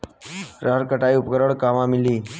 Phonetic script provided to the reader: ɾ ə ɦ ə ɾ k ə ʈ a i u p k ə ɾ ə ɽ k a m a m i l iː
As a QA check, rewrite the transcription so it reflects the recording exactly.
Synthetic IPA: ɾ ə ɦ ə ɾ k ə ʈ a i u p k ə ɾ ə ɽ k a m a m i l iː